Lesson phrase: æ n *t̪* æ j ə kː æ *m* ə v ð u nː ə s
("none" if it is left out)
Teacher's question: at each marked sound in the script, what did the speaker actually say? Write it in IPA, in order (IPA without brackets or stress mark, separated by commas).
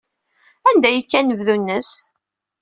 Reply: d̪, n